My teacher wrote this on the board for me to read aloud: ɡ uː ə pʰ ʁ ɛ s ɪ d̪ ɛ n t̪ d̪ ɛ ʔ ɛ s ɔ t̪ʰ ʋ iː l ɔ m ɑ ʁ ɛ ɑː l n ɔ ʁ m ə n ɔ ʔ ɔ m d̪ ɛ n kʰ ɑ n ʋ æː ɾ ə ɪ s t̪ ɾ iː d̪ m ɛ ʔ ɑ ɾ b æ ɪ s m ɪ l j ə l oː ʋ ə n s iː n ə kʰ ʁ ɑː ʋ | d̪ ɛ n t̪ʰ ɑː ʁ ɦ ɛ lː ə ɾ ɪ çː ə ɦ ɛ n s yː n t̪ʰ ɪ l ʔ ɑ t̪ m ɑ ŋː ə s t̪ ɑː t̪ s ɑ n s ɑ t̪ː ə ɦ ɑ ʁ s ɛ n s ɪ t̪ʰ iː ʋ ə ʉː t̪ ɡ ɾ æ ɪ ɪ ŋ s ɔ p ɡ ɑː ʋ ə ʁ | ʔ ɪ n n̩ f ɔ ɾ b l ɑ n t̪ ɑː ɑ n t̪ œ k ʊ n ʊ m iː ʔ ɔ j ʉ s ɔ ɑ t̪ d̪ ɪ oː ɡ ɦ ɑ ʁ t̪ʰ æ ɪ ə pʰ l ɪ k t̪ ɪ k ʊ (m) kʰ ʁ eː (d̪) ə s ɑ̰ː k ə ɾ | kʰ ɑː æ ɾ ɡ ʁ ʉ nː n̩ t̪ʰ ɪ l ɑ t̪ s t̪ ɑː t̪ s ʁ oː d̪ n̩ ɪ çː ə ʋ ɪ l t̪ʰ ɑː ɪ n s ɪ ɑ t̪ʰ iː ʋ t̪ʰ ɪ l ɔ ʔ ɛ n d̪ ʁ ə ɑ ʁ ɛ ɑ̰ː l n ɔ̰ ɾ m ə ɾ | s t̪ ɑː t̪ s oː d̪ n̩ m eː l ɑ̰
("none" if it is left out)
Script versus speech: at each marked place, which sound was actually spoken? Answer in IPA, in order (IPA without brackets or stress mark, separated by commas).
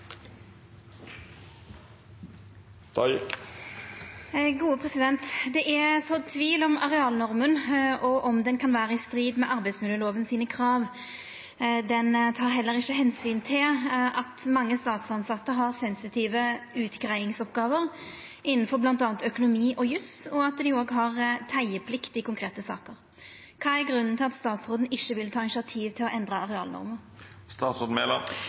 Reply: ŋ, t̪